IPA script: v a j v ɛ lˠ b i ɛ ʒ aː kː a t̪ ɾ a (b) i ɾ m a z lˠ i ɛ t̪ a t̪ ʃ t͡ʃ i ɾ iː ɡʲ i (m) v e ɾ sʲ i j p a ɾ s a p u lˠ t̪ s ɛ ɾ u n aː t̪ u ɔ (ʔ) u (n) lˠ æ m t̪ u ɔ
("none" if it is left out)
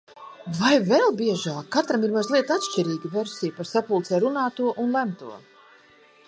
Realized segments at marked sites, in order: m, none, ʔ, n

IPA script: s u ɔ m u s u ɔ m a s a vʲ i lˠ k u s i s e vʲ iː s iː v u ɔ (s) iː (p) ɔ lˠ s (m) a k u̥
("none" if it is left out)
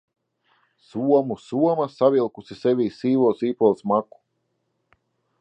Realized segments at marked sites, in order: s, p, m

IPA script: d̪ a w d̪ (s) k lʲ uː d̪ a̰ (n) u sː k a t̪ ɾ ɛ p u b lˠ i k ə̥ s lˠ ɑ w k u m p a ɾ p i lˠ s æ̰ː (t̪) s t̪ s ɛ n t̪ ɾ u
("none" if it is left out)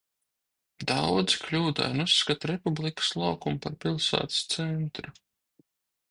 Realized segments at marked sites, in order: z, n, t̪

